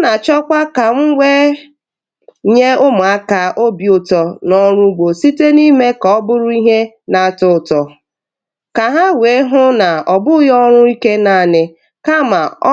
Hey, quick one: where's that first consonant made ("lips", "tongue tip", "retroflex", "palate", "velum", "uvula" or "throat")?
tongue tip